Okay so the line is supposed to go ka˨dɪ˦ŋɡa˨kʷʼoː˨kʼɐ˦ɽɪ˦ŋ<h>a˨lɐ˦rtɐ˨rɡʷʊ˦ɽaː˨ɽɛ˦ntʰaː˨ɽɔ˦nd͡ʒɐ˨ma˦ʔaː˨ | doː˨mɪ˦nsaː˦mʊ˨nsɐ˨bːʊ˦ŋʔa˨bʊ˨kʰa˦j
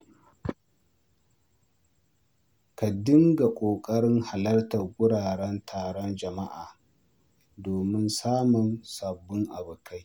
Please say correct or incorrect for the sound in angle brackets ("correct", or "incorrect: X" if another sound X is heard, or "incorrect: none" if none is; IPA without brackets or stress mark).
correct